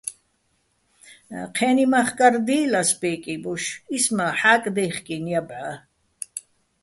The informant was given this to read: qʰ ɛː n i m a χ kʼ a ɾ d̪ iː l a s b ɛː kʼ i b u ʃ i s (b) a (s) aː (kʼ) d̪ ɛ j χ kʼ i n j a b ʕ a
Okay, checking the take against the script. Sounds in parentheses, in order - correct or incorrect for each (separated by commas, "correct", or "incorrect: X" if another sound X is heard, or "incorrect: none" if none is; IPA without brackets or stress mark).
incorrect: m, incorrect: ħ, correct